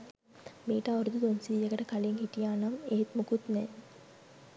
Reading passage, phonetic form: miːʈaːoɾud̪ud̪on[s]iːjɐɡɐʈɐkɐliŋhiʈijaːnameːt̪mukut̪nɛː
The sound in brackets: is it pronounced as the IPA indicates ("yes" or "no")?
yes